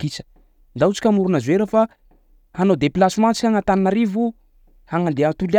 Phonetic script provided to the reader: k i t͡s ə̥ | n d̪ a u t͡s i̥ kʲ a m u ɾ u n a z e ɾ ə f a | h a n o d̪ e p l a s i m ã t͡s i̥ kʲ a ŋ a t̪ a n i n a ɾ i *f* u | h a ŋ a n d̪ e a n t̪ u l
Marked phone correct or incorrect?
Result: incorrect